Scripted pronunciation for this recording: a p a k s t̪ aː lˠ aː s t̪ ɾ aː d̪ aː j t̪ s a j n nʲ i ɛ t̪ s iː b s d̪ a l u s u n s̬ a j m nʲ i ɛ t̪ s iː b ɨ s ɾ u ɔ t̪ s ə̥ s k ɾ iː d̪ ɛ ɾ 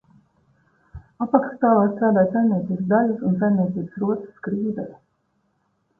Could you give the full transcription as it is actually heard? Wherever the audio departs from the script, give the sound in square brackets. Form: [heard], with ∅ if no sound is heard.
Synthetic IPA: a p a k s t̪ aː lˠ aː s t̪ ɾ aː d̪ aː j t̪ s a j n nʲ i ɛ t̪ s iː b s d̪ a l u s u n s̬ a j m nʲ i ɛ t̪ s iː b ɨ s ɾ u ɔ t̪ s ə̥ s k ɾ iː d̪ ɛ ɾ